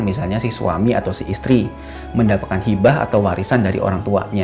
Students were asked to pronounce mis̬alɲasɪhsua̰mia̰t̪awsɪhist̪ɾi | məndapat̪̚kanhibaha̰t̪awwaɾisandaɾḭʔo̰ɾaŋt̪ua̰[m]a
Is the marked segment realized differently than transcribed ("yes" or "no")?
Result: yes